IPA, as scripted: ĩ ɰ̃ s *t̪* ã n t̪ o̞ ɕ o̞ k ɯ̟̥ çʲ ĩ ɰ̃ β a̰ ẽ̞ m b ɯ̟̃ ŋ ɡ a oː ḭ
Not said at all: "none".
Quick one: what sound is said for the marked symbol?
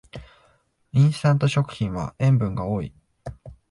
t̪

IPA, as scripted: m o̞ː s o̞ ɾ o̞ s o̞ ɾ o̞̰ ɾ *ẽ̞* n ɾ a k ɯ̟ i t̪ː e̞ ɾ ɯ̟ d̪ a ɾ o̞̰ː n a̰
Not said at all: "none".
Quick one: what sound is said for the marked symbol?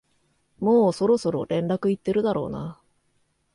ẽ̞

